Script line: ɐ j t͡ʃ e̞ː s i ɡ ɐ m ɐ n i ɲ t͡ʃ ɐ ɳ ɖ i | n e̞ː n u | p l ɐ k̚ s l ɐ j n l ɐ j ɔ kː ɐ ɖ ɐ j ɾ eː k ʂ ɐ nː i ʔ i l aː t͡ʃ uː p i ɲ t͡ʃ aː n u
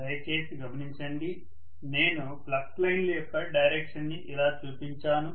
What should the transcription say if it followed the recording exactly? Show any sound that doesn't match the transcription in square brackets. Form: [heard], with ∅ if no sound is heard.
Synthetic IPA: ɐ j t͡ʃ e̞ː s i ɡ ɐ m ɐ n i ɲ t͡ʃ ɐ ɳ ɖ i | n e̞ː n u | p l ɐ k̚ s l ɐ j n l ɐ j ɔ kː ɐ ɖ ɐ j ɾ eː k ʂ ɐ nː i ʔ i l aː t͡ʃ uː p i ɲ t͡ʃ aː n u